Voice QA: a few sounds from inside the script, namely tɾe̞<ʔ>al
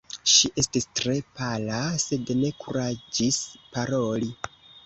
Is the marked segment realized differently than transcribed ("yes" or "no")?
yes